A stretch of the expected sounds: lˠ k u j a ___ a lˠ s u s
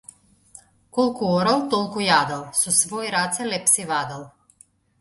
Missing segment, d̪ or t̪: d̪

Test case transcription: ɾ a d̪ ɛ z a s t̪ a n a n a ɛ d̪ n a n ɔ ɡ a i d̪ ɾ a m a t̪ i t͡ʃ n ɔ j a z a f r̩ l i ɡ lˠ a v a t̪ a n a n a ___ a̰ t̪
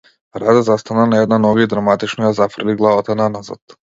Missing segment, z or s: z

